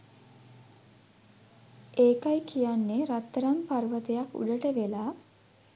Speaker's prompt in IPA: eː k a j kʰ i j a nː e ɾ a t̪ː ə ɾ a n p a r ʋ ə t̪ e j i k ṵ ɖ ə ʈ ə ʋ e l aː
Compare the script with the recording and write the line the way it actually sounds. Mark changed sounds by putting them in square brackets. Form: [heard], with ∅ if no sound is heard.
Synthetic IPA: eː k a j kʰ i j a nː e ɾ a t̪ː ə ɾ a [m] p a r ʋ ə t̪ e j [a] k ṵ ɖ ə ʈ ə ʋ e l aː